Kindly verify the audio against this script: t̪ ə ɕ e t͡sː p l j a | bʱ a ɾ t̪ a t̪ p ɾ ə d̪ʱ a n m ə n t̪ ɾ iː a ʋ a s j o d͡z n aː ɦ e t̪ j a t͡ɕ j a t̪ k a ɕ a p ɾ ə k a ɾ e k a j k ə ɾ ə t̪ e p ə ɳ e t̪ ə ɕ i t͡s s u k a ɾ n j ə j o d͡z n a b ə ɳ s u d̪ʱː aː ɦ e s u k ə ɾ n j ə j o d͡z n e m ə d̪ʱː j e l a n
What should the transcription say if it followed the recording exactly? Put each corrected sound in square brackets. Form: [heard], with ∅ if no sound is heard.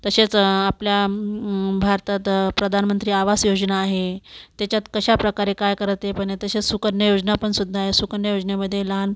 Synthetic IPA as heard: t̪ ə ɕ e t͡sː p l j a | bʱ a ɾ t̪ a t̪ p ɾ ə d̪ʱ a n m ə n t̪ ɾ iː a ʋ a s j o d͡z n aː ɦ e t̪ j a t͡ɕ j a t̪ k [ə] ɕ a p ɾ ə k a ɾ e k a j k ə ɾ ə t̪ e p ə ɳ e t̪ ə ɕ [e] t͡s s u k [ə] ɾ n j ə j o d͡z n a [p] ə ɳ s u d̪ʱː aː ɦ e s u k ə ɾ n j ə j o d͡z n e m ə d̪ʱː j e l a n